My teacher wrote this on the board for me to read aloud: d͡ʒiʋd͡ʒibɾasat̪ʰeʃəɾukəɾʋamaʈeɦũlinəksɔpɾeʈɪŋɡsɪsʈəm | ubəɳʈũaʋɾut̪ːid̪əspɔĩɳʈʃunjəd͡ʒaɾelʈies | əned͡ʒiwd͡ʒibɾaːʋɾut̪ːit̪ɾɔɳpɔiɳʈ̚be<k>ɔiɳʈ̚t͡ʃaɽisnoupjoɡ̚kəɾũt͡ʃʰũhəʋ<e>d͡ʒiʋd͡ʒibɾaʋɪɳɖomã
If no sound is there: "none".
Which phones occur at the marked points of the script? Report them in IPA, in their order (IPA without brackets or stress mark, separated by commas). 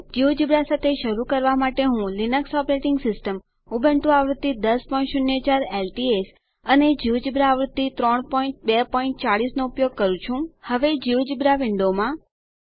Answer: p, e